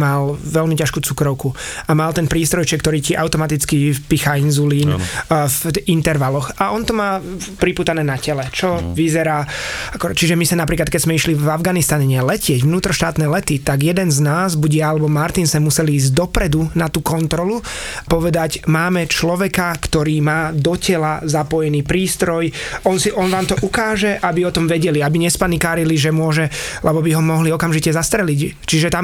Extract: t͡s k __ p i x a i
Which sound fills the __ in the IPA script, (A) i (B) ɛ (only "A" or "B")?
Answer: A